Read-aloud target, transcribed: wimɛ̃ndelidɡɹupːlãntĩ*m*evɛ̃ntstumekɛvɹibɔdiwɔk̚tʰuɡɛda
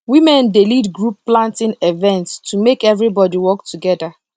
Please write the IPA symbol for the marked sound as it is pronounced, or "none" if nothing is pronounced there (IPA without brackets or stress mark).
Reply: n